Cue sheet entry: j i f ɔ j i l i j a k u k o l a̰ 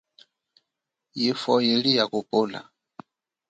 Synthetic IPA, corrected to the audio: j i f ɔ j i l i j a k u p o l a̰